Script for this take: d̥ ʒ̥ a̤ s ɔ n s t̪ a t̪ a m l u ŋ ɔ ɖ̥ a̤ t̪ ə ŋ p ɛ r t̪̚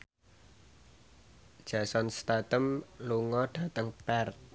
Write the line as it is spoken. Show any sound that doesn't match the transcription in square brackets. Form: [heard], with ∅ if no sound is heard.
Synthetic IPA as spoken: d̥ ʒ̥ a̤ s ɔ n s t̪ a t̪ [ə] m l u ŋ ɔ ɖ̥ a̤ t̪ ə ŋ p ɛ r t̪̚